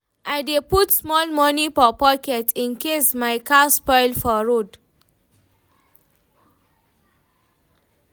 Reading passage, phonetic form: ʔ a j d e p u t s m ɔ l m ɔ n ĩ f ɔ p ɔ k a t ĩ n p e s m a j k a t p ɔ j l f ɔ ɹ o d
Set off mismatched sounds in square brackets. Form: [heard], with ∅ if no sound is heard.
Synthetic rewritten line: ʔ a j d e p u t s m ɔ l m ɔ n [i] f ɔ p ɔ k [ɛ] t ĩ n [k] e s m a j k a [s] p ɔ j l f ɔ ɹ o d